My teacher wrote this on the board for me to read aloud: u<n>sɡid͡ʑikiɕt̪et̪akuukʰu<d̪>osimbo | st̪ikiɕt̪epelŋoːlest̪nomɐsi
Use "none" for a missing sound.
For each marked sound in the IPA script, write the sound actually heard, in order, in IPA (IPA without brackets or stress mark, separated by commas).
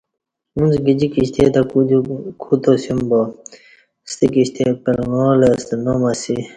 n, t̪